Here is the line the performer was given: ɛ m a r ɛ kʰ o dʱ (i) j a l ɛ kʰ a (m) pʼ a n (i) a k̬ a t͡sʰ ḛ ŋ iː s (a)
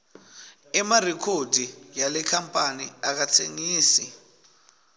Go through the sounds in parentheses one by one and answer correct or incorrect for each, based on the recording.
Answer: correct, correct, correct, incorrect: i

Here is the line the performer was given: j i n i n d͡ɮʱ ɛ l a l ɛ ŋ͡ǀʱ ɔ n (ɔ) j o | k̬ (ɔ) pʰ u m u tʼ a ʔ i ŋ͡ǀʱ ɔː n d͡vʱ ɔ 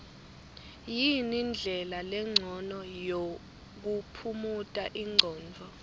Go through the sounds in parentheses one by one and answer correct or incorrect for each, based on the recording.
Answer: correct, incorrect: u

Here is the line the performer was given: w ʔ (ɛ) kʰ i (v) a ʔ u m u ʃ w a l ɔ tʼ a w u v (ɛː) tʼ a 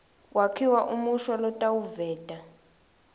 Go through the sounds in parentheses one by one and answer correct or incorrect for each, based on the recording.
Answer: incorrect: a, incorrect: w, correct

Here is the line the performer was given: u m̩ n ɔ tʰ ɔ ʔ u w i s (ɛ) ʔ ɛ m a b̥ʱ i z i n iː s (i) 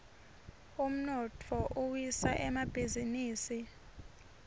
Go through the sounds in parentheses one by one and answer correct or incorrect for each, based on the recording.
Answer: incorrect: a, correct

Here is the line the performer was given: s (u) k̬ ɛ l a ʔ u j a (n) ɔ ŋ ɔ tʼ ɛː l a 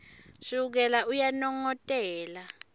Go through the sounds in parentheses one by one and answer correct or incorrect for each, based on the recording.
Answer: correct, correct

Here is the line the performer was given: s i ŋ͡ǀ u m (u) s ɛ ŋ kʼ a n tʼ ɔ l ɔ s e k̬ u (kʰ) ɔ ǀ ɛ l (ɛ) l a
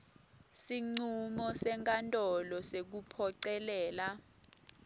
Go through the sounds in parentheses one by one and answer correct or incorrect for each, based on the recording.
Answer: incorrect: ɔ, incorrect: pʰ, incorrect: ɛː

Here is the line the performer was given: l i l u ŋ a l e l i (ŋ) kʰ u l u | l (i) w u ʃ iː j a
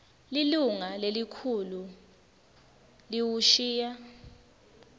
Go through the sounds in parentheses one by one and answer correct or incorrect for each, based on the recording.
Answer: incorrect: none, correct

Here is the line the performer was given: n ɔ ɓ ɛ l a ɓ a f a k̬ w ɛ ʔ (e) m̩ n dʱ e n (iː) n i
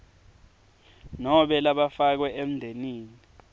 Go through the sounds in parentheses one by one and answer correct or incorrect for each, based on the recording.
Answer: correct, correct

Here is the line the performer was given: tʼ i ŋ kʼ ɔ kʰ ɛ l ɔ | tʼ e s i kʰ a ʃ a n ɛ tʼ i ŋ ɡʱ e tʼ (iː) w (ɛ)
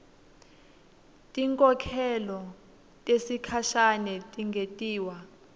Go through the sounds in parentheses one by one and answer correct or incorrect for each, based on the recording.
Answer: correct, incorrect: a

